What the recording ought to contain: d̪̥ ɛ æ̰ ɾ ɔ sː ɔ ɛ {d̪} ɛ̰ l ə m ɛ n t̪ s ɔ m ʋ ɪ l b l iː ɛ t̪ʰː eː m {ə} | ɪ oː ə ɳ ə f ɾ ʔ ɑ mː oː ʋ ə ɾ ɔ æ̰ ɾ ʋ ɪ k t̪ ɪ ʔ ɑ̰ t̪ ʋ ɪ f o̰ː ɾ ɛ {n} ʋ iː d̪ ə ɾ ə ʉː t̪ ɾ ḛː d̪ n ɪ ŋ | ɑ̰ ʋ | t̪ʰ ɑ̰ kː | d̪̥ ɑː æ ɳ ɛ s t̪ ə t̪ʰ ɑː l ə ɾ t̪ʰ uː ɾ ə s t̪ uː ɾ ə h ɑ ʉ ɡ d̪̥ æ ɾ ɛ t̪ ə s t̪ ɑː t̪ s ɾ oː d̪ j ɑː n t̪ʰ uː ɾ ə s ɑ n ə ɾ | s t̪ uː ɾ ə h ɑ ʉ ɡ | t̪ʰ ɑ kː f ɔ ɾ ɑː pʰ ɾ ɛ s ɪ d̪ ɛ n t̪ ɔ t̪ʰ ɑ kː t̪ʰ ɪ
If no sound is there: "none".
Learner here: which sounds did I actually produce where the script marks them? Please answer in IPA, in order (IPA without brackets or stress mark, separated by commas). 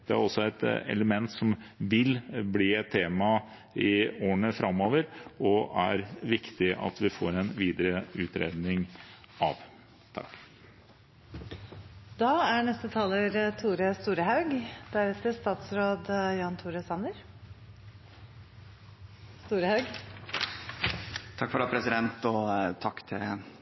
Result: t̪, ɑ, n